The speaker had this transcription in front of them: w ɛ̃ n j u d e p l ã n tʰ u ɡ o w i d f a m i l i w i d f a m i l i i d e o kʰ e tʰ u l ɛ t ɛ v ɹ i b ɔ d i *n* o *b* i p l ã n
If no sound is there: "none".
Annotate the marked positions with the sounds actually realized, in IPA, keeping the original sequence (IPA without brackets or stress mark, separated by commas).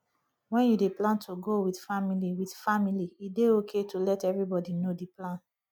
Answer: n, d